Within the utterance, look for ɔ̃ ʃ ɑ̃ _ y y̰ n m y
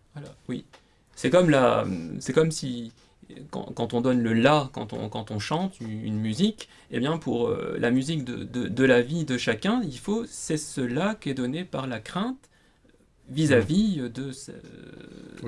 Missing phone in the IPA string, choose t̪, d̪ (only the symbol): t̪